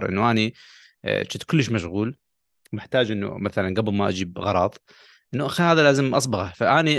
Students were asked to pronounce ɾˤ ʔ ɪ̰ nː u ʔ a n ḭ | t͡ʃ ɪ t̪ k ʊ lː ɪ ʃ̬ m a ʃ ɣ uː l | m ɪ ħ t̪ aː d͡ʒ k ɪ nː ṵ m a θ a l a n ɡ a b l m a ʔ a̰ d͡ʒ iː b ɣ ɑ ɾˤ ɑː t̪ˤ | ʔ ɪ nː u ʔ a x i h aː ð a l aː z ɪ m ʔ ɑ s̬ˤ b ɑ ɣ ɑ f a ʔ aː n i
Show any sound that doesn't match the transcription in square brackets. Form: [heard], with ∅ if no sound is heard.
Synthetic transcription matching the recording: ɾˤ ʔ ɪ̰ nː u ʔ a n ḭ | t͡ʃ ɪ t̪ k ʊ lː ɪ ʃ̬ m a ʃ ɣ uː l | m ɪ ħ t̪ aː d͡ʒ [ʔ] ɪ nː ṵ m a θ a l a n ɡ a b l m a ʔ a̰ d͡ʒ iː b ɣ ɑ ɾˤ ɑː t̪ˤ | ʔ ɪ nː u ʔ a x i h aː ð a l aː z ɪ m ʔ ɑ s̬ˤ b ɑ ɣ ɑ f a ʔ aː n i